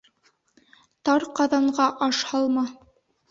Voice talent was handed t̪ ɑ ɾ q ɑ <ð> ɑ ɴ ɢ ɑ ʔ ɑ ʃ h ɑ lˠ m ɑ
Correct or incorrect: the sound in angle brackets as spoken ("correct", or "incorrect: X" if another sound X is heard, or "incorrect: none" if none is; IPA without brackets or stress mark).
correct